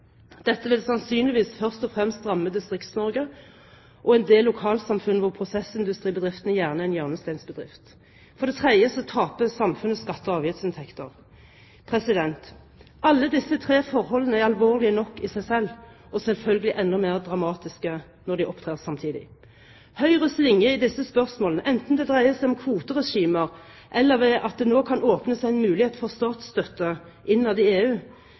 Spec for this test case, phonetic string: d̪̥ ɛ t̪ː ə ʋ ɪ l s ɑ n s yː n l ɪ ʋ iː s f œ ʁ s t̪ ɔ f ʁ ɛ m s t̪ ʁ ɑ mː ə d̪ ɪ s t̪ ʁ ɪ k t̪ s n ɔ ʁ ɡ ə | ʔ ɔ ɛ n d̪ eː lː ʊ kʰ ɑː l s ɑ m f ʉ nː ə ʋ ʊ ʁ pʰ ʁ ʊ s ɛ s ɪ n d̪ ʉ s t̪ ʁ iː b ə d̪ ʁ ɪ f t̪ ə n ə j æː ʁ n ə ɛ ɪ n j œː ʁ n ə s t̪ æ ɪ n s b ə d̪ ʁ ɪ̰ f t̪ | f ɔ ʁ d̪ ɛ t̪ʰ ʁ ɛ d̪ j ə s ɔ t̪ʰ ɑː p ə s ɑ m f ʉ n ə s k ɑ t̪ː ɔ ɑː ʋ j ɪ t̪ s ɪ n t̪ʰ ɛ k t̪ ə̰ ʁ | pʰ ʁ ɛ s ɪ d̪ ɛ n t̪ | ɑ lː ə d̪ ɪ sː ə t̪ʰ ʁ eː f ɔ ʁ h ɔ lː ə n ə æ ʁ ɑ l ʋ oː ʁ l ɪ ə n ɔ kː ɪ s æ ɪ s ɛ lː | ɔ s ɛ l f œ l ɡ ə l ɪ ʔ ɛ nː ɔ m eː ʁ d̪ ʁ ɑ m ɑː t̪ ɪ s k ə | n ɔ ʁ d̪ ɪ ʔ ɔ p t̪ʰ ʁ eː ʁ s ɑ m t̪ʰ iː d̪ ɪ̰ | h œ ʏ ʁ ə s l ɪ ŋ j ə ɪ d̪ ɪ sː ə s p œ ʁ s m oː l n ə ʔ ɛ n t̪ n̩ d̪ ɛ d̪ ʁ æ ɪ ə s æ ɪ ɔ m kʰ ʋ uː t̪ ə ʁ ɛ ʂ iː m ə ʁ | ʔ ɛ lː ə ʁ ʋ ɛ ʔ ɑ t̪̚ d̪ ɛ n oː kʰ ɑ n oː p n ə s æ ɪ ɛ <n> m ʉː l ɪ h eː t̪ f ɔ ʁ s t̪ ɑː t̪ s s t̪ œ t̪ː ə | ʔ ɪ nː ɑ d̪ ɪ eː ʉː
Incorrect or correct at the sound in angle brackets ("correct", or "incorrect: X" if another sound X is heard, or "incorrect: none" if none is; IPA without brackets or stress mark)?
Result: correct